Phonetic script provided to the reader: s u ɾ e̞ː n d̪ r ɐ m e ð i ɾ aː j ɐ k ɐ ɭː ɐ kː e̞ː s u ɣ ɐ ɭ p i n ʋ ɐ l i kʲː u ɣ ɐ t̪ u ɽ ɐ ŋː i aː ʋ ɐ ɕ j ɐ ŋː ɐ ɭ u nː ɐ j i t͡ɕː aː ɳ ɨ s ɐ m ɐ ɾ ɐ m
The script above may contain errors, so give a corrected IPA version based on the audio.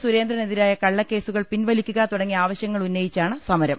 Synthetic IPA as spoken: s u ɾ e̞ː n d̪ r ɐ n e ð i ɾ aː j ɐ k ɐ ɭː ɐ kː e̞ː s u ɣ ɐ ɭ p i n ʋ ɐ l i kʲː u ɣ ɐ t̪ u ɽ ɐ ŋː i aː ʋ ɐ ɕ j ɐ ŋː ɐ ɭ u nː ɐ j i t͡ɕː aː ɳ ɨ s ɐ m ɐ ɾ ɐ m